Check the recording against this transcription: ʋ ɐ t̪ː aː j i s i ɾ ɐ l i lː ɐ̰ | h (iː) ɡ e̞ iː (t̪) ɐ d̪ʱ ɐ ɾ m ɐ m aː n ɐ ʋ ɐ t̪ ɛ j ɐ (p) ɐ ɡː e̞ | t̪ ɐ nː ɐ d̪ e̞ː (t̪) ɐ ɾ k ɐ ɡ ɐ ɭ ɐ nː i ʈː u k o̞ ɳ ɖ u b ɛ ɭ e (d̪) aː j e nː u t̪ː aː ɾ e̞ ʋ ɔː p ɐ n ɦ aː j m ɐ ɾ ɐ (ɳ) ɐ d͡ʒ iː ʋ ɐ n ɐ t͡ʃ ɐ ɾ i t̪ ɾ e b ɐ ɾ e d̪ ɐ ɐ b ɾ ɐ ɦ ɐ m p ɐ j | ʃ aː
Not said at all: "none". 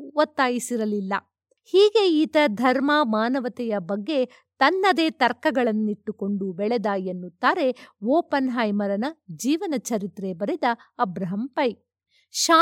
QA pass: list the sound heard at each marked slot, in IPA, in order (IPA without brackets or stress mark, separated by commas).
iː, t̪, b, t̪, d̪, n